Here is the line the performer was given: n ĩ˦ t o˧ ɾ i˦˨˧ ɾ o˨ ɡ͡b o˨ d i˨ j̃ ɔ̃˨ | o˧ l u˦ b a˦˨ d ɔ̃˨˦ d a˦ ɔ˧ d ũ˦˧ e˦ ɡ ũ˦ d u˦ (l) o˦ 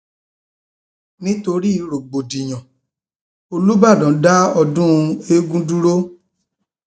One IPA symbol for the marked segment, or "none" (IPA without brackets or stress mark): ɾ